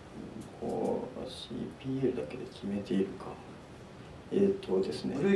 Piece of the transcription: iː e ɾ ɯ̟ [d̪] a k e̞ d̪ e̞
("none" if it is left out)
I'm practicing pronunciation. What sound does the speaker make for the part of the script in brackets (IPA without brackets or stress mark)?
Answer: d̪